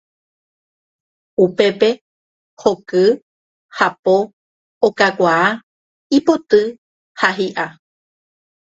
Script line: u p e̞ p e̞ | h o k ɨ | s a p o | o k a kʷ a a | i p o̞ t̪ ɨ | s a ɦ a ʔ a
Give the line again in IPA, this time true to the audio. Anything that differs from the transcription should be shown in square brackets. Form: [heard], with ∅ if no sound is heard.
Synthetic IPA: u p e̞ p e̞ | h o k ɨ | [h] a p o | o k a kʷ a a | i p o̞ t̪ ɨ | [h] a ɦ [i] ʔ a